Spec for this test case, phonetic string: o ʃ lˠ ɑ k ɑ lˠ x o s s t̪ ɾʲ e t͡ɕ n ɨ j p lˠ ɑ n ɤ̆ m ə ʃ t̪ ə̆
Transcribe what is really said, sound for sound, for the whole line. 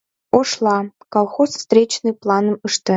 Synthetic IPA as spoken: o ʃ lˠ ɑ k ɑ lˠ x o s s t̪ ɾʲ e t͡ɕ n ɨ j p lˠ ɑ n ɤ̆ m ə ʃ t̪ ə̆